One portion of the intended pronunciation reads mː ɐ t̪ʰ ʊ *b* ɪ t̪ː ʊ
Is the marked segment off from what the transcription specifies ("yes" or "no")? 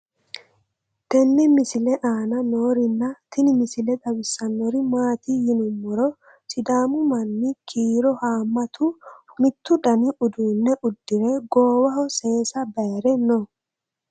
yes